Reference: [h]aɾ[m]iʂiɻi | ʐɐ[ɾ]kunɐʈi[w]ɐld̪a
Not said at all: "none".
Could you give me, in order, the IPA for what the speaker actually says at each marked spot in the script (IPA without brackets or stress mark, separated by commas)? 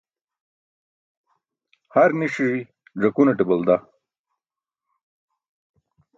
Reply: h, n, none, b